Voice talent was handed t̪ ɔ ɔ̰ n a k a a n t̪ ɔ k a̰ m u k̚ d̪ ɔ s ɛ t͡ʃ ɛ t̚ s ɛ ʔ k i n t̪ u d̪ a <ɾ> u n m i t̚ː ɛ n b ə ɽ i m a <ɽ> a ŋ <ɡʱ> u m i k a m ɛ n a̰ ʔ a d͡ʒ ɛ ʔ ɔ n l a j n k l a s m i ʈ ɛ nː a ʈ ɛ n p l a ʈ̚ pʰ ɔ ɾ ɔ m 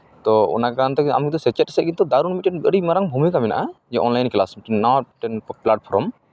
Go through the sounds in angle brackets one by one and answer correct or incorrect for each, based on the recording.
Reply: correct, incorrect: ɾ, incorrect: bʱ

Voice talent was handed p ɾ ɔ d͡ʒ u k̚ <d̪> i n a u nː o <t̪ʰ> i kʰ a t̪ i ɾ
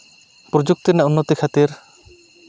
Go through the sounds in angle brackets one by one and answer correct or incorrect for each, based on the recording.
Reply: incorrect: t̪, incorrect: t̪

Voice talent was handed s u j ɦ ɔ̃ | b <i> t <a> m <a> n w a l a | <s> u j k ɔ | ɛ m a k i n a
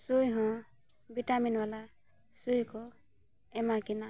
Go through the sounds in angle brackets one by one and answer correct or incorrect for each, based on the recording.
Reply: correct, correct, incorrect: i, correct

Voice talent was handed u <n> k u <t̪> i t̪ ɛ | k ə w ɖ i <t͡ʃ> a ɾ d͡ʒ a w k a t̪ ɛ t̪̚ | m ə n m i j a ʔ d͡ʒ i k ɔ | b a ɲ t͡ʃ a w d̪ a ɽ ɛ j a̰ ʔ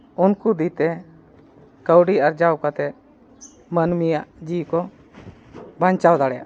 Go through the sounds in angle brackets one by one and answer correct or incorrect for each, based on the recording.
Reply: correct, incorrect: d̪, incorrect: none

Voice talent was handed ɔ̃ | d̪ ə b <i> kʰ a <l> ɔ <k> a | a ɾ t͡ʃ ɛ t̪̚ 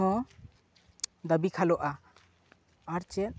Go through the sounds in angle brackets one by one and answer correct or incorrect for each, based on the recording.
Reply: correct, correct, incorrect: ʔ

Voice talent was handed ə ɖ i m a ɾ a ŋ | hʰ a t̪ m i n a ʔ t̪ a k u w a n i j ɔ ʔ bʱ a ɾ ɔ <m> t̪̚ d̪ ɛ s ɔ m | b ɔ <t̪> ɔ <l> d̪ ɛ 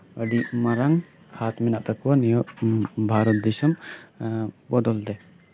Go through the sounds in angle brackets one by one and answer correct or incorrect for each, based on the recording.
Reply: incorrect: none, incorrect: d̪, correct

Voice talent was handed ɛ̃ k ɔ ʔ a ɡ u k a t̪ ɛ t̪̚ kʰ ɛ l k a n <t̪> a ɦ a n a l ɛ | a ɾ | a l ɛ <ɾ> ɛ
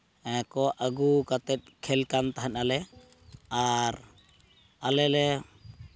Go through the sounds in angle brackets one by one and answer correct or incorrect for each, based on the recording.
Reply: correct, incorrect: l

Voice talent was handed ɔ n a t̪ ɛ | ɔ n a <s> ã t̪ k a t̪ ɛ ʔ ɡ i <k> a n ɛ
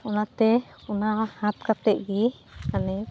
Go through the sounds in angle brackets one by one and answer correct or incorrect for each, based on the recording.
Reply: incorrect: h, correct

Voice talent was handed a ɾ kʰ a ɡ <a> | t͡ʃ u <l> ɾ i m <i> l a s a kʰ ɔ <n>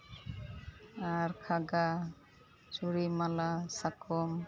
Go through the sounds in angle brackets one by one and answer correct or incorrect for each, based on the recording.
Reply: correct, incorrect: none, incorrect: a, incorrect: m

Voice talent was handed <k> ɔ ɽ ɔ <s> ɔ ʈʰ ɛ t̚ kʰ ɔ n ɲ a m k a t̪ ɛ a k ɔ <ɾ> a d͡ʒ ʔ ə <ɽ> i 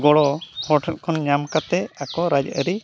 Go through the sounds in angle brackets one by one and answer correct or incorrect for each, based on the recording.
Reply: incorrect: ɡ, incorrect: h, correct, incorrect: ɾ

